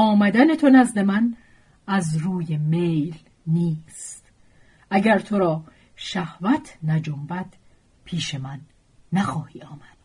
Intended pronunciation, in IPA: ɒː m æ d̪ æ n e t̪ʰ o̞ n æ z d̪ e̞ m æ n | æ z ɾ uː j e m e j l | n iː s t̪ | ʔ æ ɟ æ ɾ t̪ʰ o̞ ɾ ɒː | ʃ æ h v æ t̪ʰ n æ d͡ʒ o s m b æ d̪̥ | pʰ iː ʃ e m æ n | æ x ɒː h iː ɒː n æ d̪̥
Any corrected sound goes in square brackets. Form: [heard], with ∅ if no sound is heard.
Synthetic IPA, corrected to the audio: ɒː m æ d̪ æ n e t̪ʰ o̞ n æ z d̪ e̞ m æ n | æ z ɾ uː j e m e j l | n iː s t̪ | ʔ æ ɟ æ ɾ t̪ʰ o̞ ɾ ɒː | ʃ æ h v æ t̪ʰ n æ d͡ʒ o [∅] m b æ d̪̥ | pʰ iː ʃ e m æ [nː] | æ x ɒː h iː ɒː [m] æ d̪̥